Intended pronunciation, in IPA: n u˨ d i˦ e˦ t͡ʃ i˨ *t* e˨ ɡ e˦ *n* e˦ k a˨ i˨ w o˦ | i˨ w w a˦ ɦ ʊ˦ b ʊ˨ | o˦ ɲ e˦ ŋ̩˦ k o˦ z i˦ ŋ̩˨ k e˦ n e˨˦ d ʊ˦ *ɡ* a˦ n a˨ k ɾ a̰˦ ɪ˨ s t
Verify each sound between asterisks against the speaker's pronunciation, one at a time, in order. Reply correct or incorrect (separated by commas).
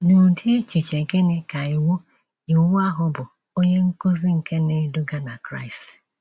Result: incorrect, correct, correct